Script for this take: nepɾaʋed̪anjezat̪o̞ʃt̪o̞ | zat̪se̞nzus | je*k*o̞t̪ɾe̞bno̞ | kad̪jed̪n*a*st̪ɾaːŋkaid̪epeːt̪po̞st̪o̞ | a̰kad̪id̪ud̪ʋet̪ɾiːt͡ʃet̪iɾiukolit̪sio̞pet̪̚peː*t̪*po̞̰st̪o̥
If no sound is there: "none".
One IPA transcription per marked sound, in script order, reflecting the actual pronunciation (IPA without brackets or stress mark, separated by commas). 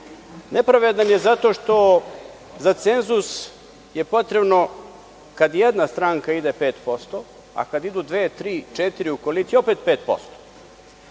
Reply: p, a, t̪